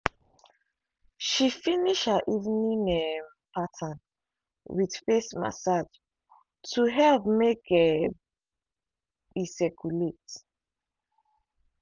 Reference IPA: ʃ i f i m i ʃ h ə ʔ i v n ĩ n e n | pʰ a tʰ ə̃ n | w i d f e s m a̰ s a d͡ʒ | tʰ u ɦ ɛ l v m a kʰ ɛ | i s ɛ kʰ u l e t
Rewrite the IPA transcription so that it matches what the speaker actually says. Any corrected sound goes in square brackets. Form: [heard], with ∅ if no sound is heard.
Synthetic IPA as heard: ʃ i f i [n] i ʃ h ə ʔ i v n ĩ n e [m] | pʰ a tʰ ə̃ n | w i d f e s m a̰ s a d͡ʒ | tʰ u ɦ ɛ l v m [e] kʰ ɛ | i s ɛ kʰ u l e t